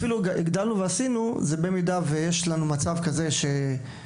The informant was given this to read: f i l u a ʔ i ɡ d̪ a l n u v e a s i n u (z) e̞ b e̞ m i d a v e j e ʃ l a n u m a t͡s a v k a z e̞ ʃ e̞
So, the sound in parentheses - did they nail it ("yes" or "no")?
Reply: yes